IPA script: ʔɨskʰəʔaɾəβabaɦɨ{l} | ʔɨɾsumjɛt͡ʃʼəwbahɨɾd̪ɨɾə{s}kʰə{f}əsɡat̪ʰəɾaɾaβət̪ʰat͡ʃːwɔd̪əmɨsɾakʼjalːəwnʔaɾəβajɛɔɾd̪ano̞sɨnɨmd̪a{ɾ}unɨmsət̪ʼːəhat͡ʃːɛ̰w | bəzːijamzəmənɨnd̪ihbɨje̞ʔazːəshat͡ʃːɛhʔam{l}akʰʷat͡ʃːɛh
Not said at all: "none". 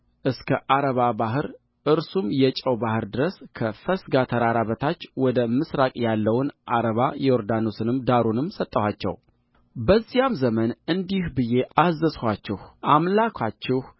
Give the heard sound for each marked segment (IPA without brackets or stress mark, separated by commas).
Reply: ɾ, s, f, ɾ, l